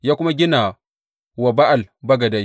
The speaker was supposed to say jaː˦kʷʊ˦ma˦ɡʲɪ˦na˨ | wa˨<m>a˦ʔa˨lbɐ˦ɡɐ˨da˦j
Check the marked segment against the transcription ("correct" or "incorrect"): incorrect